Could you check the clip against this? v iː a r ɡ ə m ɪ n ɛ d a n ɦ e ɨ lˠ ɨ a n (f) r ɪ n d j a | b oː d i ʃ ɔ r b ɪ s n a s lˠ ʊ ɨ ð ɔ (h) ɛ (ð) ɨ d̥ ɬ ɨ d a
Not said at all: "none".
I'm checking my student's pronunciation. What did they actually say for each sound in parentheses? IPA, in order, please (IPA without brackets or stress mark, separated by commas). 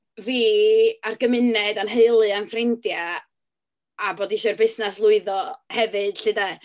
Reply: f, h, v